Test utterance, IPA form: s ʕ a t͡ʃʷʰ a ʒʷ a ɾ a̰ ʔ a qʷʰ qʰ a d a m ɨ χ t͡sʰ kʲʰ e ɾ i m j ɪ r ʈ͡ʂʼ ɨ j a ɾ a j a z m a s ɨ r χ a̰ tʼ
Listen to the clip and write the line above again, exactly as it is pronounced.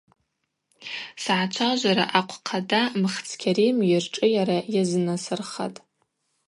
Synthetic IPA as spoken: s ʕ a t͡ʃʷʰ a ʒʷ a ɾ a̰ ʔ a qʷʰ qʰ a d a m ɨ χ t͡sʰ kʲʰ a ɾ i m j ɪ r ʈ͡ʂʼ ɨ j a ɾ a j a z n a s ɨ r χ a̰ tʼ